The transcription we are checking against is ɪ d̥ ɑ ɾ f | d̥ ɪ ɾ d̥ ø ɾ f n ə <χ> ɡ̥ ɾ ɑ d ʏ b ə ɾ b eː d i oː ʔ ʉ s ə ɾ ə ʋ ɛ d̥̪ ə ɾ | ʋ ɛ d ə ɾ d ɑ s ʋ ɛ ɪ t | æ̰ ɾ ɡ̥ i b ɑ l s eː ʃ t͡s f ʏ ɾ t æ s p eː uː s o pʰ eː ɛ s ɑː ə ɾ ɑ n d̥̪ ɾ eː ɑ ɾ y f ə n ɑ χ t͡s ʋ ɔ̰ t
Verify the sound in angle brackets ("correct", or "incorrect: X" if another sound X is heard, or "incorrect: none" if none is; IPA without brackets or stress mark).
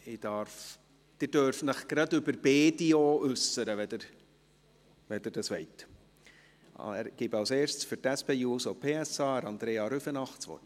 correct